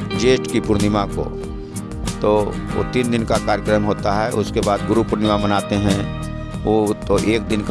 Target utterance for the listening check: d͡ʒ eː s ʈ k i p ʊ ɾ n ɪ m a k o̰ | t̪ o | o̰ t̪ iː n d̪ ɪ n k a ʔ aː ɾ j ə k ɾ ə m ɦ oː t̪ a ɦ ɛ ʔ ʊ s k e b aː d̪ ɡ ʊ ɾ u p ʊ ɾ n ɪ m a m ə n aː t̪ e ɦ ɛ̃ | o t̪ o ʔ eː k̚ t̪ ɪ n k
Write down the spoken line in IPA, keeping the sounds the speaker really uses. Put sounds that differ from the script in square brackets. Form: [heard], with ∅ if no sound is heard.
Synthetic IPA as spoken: d͡ʒ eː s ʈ k i p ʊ ɾ n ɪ m a k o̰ | t̪ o | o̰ t̪ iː n d̪ ɪ n k a [k] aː ɾ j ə k ɾ ə m ɦ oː t̪ a ɦ ɛ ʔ ʊ s k e b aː d̪ ɡ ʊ ɾ u p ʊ ɾ n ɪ m a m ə n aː t̪ e ɦ ɛ̃ | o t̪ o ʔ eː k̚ [d̪] ɪ n k